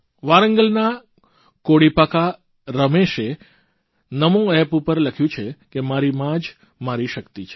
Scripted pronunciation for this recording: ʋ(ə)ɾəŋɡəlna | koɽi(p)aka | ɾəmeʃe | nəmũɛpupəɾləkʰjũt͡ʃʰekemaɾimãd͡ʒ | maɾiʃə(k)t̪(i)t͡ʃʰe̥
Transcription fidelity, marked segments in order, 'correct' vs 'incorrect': incorrect, correct, correct, correct

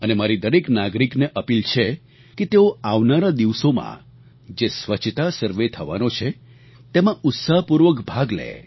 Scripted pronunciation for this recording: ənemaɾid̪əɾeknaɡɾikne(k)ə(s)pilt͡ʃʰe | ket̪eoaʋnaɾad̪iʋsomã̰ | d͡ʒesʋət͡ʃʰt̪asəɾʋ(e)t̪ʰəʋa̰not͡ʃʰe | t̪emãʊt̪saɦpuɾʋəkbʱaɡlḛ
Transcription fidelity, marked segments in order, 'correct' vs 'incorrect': incorrect, incorrect, correct

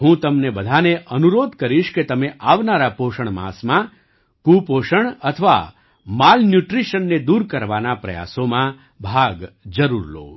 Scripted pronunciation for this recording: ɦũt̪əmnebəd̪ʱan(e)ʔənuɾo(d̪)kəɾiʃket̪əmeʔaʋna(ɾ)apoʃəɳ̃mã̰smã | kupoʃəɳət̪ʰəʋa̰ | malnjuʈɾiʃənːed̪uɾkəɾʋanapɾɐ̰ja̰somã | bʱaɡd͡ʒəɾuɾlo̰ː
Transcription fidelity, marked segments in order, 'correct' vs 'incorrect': correct, correct, correct

